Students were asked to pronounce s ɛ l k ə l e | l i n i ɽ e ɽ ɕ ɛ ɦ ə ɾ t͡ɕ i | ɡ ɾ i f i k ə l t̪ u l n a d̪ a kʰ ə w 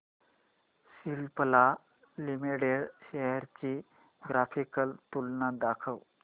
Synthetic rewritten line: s i l p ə l a | l i m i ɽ e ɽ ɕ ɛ ɦ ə ɾ t͡ɕ i | ɡ ɾ a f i k ə l t̪ u l n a d̪ a kʰ ə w